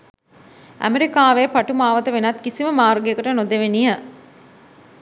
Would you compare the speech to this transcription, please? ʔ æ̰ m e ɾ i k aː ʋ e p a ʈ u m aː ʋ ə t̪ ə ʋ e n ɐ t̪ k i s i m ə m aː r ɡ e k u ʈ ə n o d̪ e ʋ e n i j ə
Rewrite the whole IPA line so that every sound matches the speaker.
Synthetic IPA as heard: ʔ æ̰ m e ɾ i k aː ʋ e p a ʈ u m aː ʋ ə t̪ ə ʋ e n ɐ t̪ k i s i m ə m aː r ɡ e k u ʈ ə n o d̪ e ʋ e n i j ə